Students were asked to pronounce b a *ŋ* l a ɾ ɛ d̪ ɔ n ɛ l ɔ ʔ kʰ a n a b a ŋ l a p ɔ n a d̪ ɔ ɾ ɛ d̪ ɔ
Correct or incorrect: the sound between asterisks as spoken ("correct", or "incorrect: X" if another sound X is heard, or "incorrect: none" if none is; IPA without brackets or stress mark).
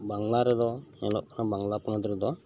correct